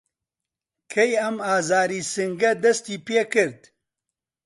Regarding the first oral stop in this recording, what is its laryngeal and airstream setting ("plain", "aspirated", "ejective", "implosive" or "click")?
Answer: aspirated